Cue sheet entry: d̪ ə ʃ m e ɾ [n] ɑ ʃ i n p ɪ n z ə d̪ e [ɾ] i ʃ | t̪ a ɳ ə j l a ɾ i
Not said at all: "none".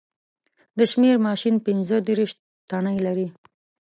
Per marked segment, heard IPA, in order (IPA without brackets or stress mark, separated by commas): m, ɾ